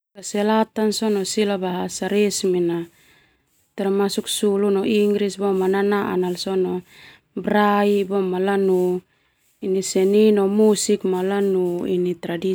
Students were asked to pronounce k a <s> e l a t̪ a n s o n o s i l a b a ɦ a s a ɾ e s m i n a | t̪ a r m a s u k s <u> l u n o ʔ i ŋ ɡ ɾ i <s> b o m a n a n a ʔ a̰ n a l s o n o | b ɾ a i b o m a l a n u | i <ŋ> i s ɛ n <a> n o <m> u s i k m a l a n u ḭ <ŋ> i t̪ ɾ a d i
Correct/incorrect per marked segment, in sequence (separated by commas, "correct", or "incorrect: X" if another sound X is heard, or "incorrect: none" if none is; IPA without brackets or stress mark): correct, correct, correct, incorrect: n, incorrect: i, correct, incorrect: n